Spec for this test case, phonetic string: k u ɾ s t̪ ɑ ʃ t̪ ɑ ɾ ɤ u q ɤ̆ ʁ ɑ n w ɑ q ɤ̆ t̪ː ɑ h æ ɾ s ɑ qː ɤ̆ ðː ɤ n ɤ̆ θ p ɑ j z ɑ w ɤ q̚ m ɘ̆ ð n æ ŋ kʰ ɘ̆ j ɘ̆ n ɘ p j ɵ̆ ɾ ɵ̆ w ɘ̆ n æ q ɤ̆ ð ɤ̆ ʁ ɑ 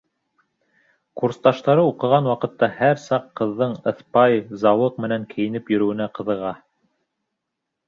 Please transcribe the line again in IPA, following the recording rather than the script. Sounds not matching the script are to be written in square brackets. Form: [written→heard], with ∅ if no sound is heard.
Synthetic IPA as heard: k u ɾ s t̪ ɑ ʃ t̪ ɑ ɾ ɤ u q ɤ̆ ʁ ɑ n w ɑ q ɤ̆ t̪ː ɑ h æ ɾ s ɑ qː ɤ̆ ðː ɤ [n→ɴ] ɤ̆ θ p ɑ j z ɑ w ɤ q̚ m ɘ̆ [ð→∅] n æ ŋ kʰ ɘ̆ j ɘ̆ n ɘ p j ɵ̆ ɾ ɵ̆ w ɘ̆ n æ q ɤ̆ ð ɤ̆ ʁ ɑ